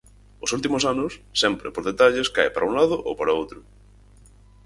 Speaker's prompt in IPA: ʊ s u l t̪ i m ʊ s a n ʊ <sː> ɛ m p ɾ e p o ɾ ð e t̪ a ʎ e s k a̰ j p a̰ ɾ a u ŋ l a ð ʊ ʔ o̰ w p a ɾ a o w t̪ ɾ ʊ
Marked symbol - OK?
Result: yes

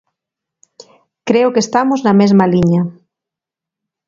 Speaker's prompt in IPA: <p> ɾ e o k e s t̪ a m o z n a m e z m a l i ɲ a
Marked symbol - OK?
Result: no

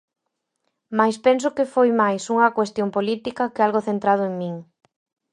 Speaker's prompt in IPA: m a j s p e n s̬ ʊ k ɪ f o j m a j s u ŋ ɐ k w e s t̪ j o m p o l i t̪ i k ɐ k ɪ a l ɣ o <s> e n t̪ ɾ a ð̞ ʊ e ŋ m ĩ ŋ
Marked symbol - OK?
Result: no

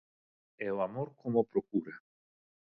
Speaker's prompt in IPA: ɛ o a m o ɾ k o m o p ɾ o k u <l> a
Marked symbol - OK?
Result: no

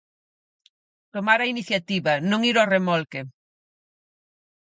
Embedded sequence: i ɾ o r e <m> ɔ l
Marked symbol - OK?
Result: yes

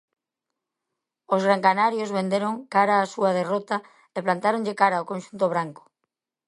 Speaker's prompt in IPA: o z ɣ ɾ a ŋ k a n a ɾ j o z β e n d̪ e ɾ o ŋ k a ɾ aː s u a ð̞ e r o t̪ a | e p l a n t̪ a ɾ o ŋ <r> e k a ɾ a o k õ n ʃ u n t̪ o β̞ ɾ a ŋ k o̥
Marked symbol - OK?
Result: no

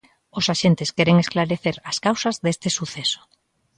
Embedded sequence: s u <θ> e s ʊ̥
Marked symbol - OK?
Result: yes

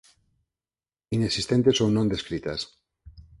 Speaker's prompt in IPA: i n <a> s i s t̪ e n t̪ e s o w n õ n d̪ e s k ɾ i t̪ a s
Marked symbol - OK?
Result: no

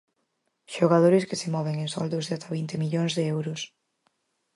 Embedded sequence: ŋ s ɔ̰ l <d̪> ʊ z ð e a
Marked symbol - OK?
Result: yes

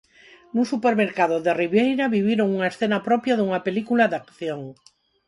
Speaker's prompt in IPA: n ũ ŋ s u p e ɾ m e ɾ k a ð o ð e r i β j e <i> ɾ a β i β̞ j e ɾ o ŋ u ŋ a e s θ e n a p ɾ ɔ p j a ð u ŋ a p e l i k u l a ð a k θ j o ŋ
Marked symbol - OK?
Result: no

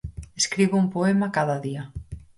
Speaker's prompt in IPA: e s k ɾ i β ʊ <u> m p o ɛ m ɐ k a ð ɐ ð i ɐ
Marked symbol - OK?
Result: yes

